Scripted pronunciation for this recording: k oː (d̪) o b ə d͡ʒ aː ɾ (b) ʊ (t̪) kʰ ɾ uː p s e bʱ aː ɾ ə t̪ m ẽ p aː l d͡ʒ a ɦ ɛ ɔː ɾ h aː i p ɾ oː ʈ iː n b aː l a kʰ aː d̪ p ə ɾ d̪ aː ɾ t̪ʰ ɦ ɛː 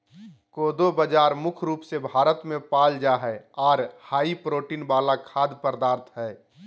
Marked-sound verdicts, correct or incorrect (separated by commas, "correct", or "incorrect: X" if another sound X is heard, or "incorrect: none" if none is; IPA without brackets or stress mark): correct, incorrect: m, incorrect: none